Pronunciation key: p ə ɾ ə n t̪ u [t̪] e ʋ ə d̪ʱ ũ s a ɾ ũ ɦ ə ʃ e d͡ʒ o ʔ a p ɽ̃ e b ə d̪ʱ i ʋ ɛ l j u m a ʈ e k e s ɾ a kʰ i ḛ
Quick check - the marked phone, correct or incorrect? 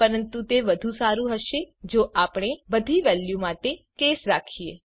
correct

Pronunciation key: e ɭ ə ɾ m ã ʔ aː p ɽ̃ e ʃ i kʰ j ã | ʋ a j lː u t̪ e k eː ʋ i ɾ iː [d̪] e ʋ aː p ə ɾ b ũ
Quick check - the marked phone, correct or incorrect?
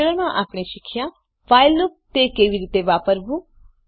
incorrect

